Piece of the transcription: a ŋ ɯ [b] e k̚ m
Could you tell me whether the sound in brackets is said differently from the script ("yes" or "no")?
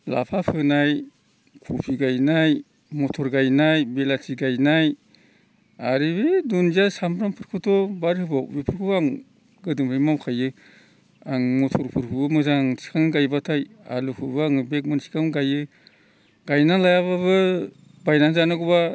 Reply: no